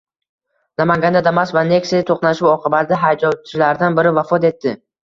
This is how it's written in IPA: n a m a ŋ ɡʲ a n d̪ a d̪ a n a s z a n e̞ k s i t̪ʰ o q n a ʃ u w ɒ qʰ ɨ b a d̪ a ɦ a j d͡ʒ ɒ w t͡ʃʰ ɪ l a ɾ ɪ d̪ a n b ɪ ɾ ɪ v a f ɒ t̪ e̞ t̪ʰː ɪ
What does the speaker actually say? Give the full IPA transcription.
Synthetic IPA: n a m a ŋ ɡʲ a n d̪ a d̪ a m a s v a n e̞ k s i t̪ʰ o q n a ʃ u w ɒ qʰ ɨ b a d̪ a ɦ a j d͡ʒ ɒ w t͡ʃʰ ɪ l a ɾ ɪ d̪ a n b ɪ ɾ ɪ v a f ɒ t̪ e̞ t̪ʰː ɪ